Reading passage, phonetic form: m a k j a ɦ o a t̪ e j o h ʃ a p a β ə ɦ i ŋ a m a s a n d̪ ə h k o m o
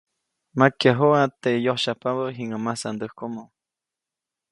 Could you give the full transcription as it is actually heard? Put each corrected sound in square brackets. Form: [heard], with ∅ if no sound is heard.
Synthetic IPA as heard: m a k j a ɦ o a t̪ e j o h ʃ a p a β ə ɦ i ŋ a m a s a n d̪ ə h k o m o